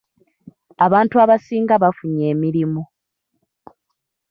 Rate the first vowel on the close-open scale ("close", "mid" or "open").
open